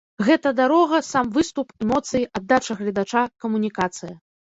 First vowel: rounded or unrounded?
unrounded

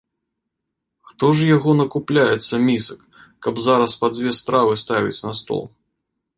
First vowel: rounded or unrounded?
rounded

